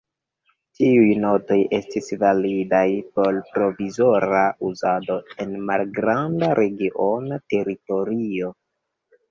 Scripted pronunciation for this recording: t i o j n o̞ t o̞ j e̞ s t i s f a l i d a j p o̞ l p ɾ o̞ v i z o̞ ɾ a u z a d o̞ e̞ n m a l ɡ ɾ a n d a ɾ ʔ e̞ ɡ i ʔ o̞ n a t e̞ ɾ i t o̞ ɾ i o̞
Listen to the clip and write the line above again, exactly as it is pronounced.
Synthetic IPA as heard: t i u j n o̞ t o̞ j e̞ s t i s v a l i d a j p o̞ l p ɾ o̞ v i z o̞ ɾ a u z a d o̞ e̞ n m a l ɡ ɾ a n d a ɾ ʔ e̞ ɡ i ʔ o̞ n a t e̞ ɾ i t o̞ ɾ i o̞

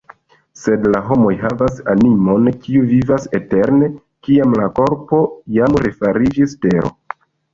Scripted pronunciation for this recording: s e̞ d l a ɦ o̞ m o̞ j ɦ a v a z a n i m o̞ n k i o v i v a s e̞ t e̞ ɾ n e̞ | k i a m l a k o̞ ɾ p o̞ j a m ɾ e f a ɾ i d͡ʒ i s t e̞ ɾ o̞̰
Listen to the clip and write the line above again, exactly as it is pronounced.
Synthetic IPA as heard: s e̞ d l a ɦ o̞ m o̞ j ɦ a v a s a n i m o̞ n k i u v i v a s e̞ t e̞ ɾ n e̞ | k i a m l a k o̞ ɾ p o̞ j a m ɾ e f a ɾ i d͡ʒ i s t e̞ ɾ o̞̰

